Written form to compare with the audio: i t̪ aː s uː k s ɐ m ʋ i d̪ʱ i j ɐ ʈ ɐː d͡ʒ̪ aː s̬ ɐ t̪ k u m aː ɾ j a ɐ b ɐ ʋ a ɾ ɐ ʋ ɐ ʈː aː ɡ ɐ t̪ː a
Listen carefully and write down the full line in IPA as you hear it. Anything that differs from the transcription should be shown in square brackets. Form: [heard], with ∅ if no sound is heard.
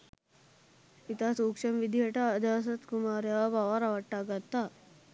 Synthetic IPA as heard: i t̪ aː s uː k [ʂ] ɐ m ʋ i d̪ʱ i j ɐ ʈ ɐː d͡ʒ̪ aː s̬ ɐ t̪ k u m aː ɾ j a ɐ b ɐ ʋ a ɾ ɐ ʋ ɐ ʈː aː ɡ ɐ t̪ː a